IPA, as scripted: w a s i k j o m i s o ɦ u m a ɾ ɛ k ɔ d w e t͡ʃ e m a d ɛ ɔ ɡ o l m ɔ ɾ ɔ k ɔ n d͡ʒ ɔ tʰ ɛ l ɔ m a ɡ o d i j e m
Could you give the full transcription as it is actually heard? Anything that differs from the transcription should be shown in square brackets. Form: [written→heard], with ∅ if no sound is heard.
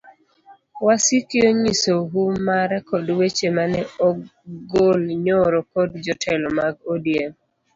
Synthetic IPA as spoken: w a s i k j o [m→ɲ] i s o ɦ u m a ɾ ɛ k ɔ d w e t͡ʃ e m a [d→n] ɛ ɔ ɡ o l [m→ɲ] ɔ ɾ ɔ k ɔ [n→d] d͡ʒ ɔ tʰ ɛ l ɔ m a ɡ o d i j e m